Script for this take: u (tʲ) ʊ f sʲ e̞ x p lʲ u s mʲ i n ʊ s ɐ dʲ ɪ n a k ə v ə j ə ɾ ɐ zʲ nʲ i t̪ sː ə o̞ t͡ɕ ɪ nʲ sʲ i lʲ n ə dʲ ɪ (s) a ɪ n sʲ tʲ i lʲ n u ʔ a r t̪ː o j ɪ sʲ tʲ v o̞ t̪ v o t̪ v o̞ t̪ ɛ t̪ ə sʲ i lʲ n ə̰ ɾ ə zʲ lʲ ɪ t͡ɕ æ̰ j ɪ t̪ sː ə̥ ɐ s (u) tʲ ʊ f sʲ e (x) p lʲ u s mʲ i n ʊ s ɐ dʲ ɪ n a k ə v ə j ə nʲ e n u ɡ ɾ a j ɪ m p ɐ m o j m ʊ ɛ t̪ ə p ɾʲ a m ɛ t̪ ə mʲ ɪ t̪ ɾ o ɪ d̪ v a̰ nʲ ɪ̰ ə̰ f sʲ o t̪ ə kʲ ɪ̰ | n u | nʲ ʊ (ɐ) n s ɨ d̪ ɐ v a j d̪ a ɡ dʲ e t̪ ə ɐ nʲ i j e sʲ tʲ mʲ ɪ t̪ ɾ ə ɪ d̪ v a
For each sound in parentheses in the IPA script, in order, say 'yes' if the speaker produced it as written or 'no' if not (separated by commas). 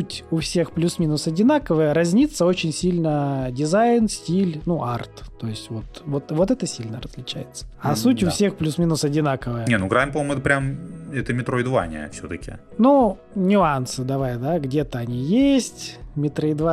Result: yes, no, yes, yes, no